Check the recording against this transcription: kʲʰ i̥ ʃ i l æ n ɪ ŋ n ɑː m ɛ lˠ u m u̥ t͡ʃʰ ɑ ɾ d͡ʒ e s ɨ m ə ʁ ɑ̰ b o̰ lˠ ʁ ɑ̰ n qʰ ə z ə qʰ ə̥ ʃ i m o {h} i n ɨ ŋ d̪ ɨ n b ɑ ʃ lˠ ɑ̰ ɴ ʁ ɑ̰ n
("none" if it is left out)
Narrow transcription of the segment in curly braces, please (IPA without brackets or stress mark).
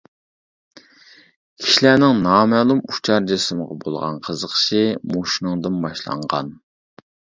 ʃ